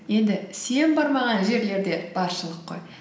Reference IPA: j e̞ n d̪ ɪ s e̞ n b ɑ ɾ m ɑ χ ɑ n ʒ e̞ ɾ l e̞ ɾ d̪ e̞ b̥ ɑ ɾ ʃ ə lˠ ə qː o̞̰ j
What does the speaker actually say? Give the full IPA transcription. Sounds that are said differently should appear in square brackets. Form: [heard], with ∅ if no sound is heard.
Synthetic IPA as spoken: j e̞ n d̪ ɪ s e̞ n b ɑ ɾ m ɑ [ʁ] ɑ n ʒ e̞ ɾ l e̞ ɾ d̪ e̞ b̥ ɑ ɾ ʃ ə lˠ ə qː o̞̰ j